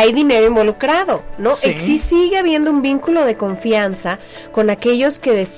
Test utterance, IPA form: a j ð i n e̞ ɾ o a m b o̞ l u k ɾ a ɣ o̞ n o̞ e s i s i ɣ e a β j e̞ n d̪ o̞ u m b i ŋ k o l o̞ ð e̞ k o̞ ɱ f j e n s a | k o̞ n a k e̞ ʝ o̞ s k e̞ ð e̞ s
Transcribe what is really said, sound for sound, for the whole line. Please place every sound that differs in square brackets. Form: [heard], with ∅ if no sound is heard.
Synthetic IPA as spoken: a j ð i n e̞ ɾ o [i] m b o̞ l u k ɾ a [ð] o̞ n o̞ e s i s i ɣ e a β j e̞ n d̪ o̞ u m b i ŋ k [u] l o̞ ð e̞ k o̞ ɱ f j [a] n s a | k o̞ n a k e̞ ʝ o̞ s k e̞ ð e̞ s